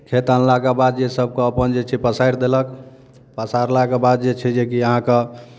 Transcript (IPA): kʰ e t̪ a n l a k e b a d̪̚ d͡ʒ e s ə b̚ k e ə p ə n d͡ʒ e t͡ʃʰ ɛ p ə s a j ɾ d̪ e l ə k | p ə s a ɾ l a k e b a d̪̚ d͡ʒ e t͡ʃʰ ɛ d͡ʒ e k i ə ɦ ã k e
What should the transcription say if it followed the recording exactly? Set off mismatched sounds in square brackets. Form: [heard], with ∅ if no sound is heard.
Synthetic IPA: kʰ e t̪ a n l a k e b a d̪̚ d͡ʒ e s ə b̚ k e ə p ə n d͡ʒ e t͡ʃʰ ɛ p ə s a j ɾ d̪ e l ə k | p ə s a ɾ l a k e b a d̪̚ d͡ʒ e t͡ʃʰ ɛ d͡ʒ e k i ə ɦ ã k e

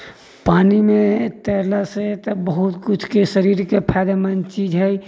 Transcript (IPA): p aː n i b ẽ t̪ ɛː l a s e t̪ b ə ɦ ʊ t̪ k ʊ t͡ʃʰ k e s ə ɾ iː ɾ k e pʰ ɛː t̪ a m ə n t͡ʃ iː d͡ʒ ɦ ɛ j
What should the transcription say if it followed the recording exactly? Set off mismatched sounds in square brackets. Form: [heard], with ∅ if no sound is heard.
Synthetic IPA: p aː n i [m] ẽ t̪ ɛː l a s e t̪ b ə ɦ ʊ t̪ k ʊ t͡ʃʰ k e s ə ɾ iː ɾ k e pʰ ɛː [d̪] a m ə n t͡ʃ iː d͡ʒ ɦ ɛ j

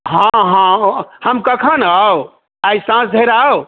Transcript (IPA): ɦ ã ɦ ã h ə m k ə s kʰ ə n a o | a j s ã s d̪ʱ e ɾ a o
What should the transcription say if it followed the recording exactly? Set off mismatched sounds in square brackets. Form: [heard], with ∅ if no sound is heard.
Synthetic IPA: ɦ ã ɦ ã h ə m k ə [∅] kʰ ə n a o | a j s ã s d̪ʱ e ɾ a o

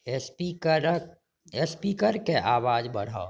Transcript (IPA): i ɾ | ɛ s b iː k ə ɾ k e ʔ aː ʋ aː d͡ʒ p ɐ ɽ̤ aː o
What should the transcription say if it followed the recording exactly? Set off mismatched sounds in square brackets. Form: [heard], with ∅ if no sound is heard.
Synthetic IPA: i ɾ | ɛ s [p] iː k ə ɾ k e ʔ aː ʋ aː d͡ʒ [b] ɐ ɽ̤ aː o

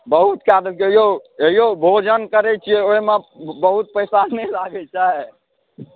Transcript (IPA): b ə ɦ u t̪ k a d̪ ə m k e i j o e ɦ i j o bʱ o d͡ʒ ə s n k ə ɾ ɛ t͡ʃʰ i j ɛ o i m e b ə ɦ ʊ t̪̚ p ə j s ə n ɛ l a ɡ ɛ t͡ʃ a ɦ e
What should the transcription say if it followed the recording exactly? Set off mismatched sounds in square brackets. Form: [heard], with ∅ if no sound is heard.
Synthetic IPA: b ə ɦ u t̪ k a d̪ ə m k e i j o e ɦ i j o bʱ o d͡ʒ ə [∅] n k ə ɾ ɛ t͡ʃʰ i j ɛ o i m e b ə ɦ [u] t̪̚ p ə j s [a] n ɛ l a ɡ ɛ t͡ʃ a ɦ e

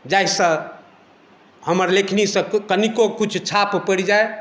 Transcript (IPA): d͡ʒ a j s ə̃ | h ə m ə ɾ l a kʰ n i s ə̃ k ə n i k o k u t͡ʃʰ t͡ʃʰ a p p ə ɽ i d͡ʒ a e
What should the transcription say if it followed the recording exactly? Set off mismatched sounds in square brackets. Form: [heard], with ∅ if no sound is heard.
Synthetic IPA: d͡ʒ a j s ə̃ | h ə m ə ɾ l [e] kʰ n i s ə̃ k ə n i k o k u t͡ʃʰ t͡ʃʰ a p p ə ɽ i d͡ʒ a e

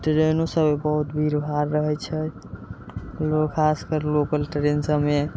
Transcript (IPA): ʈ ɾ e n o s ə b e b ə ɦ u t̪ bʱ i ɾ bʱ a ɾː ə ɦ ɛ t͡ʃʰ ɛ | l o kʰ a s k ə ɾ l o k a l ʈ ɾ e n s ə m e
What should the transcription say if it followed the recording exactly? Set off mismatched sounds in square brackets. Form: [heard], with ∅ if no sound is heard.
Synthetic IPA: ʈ ɾ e n o s ə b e b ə ɦ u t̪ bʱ i ɾ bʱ a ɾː ə ɦ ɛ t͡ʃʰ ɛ | l o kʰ a s k ə ɾ l o k [ə] l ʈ ɾ e n s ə m e

